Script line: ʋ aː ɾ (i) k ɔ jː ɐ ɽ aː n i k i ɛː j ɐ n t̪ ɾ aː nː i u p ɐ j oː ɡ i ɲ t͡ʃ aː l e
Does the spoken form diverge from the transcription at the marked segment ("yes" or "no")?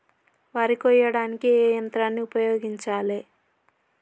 no